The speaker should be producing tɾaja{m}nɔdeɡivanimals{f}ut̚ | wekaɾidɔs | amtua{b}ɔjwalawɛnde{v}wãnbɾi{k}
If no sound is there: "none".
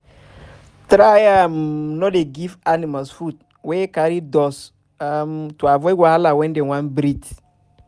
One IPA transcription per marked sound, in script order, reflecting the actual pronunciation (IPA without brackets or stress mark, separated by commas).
m, f, v, none, t